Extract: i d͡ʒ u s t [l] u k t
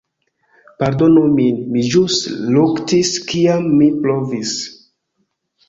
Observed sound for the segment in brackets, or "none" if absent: l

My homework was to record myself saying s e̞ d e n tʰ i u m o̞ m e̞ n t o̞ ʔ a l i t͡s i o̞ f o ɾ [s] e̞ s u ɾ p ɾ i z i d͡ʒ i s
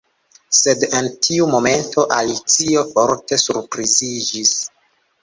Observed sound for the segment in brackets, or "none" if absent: t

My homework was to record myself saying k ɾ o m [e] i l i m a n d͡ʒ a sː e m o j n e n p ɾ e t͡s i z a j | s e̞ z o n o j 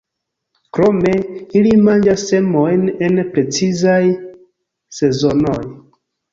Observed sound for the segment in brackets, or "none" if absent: e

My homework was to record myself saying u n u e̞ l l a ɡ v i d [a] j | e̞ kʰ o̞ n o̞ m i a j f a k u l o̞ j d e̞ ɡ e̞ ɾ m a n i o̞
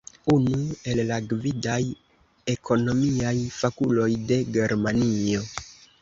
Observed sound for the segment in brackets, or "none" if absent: a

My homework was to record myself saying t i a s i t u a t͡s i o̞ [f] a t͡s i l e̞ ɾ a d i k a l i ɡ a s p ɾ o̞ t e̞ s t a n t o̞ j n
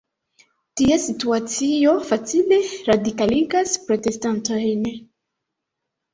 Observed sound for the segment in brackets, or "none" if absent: f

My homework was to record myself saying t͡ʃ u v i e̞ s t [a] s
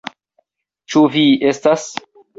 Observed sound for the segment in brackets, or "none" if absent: a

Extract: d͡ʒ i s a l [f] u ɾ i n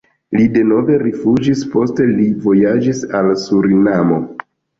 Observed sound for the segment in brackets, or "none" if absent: s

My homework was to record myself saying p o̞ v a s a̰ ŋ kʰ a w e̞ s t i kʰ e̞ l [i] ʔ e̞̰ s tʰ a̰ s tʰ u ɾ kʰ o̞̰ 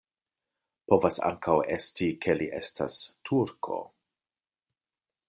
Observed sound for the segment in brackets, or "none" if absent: i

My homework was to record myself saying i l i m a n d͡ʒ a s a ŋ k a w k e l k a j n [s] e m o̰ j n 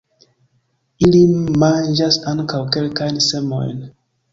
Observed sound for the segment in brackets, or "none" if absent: s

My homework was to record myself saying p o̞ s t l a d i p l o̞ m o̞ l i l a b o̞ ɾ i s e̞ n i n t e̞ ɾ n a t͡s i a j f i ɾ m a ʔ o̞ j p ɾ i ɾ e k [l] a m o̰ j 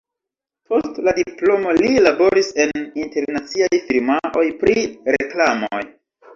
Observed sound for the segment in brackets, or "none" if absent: l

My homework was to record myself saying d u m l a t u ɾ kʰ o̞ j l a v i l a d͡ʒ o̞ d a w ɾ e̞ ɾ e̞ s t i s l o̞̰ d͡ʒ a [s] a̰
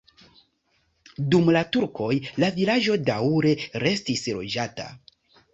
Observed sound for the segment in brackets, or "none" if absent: t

